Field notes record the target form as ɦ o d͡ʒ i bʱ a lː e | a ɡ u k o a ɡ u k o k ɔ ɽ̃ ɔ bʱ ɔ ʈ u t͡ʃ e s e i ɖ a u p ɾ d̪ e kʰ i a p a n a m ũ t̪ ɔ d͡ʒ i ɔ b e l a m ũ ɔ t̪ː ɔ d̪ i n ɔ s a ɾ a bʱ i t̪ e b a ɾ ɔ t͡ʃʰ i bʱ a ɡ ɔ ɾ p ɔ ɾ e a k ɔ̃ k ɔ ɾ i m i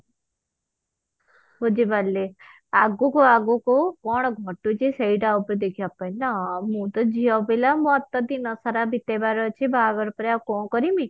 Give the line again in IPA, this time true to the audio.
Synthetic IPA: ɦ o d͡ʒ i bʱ a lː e | a ɡ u k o a ɡ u k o k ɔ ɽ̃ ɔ ɡʱ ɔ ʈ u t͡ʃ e s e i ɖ a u p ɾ d̪ e kʰ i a p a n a m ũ t̪ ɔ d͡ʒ i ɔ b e l a m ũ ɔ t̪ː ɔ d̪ i n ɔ s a ɾ a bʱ i t̪ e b a ɾ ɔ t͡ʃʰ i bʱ a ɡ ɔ ɾ p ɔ ɾ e a k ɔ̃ k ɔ ɾ i m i